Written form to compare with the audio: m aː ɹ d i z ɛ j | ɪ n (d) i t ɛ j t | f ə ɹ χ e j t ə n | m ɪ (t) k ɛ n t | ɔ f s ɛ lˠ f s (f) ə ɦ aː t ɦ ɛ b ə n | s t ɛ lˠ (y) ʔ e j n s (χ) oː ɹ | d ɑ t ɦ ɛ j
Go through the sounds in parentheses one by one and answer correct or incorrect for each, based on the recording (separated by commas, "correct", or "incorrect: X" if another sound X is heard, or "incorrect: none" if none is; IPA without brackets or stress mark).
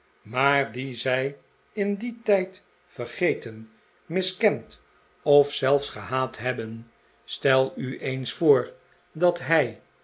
correct, incorrect: s, incorrect: χ, correct, incorrect: f